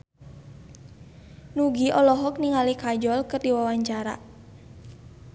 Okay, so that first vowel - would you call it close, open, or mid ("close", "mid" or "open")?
close